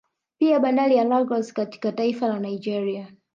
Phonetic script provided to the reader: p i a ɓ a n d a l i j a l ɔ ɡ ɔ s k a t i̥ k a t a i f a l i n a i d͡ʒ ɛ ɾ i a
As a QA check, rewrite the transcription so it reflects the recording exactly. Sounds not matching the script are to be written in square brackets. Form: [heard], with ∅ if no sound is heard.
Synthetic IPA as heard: p i a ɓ a n d a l i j a l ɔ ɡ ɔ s k a t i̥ k a t a i f a l [a] n a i d͡ʒ ɛ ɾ i a